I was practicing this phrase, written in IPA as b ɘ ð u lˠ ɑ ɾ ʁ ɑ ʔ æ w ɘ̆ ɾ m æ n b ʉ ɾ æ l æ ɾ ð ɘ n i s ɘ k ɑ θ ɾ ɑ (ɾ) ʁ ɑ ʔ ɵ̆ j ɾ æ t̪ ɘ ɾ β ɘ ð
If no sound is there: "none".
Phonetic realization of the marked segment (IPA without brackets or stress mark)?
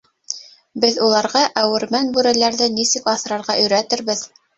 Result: ɾ